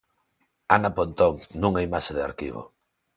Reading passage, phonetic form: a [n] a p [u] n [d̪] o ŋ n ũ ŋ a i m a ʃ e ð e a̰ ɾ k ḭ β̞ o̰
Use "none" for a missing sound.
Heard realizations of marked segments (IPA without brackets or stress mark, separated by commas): n, o, t̪